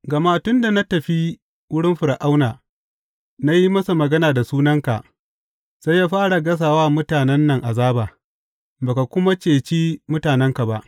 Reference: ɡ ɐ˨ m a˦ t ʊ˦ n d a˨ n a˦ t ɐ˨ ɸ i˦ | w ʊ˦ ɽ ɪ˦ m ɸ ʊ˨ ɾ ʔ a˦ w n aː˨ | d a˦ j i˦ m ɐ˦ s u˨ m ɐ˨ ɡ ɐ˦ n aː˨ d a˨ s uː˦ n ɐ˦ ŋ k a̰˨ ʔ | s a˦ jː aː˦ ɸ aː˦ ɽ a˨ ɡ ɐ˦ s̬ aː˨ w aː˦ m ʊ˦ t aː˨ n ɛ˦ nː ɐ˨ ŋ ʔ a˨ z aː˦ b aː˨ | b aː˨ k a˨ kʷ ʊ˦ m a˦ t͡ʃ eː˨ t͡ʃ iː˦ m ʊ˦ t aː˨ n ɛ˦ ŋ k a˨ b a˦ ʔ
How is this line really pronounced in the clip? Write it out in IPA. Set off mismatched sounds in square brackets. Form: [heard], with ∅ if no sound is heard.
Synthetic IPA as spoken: ɡ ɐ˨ m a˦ t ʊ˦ n d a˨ n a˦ t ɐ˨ ɸ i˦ | w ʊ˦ ɽ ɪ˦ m ɸ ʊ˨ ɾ ʔ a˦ w n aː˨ | [n] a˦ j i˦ m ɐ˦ s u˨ m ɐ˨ ɡ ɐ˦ n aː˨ d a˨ s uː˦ n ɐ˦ ŋ k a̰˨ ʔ | s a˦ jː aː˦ ɸ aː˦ ɽ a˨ ɡ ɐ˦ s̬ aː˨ w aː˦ m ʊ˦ t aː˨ n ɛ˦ nː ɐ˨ ŋ ʔ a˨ z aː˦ b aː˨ | b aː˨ k a˨ kʷ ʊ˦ m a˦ t͡ʃ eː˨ t͡ʃ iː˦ m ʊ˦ t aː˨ n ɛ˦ ŋ k a˨ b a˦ ʔ